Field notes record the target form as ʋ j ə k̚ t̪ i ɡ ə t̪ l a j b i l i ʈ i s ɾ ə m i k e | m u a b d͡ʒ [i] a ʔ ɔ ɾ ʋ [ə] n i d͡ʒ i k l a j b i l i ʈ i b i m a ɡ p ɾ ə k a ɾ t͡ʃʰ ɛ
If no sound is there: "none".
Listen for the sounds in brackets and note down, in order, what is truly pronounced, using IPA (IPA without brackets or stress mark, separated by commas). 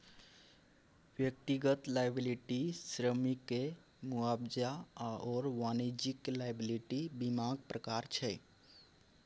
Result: a, a